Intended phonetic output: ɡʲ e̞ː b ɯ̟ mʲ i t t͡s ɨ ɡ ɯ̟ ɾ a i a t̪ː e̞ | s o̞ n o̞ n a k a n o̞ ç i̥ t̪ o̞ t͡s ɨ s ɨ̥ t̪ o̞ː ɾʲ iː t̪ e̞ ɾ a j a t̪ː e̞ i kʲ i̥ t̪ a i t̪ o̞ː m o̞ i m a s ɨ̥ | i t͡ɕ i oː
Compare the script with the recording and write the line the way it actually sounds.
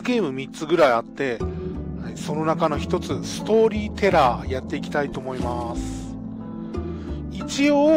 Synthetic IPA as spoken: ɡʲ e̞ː m ɯ̟ mʲ i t t͡s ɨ ɡ ɯ̟ ɾ a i a t̪ː e̞ | s o̞ n o̞ n a k a n o̞ ç i̥ t̪ o̞ t͡s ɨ s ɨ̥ t̪ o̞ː ɾʲ iː t̪ e̞ ɾ a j a t̪ː e̞ i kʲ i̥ t̪ a i t̪ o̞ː m o̞ i m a s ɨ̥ | i t͡ɕ i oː